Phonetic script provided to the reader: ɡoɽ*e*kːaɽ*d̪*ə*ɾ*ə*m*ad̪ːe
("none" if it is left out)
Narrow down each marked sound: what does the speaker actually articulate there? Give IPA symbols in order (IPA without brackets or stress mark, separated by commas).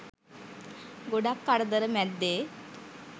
a, d̪, ɾ, m